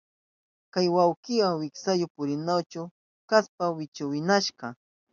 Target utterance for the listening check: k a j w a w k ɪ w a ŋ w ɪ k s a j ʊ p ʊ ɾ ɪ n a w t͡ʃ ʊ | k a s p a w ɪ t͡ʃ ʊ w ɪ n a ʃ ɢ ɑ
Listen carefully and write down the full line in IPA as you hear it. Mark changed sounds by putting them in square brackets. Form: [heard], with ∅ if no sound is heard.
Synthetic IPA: k a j w a w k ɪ w a ŋ w ɪ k s a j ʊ p ʊ ɾ ɪ n a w t͡ʃ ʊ | k a s p a w ɪ t͡ʃ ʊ w ɪ n a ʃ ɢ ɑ